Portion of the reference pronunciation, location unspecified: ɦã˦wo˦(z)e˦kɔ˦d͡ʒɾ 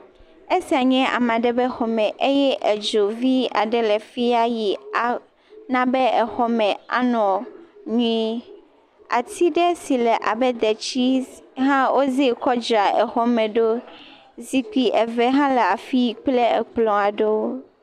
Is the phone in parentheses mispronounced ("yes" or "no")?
no